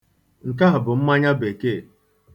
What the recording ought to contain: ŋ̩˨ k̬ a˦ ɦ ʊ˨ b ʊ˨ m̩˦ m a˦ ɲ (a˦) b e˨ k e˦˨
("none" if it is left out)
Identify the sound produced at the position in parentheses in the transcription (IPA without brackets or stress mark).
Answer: a˦